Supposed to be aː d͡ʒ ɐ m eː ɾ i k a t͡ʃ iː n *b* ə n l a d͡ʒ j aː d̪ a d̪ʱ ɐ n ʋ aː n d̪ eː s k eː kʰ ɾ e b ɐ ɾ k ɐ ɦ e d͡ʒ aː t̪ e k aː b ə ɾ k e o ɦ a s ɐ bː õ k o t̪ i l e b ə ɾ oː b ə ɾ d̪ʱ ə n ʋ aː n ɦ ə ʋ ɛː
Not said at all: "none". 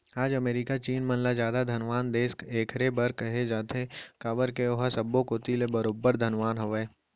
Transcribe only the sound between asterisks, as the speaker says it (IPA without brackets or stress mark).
m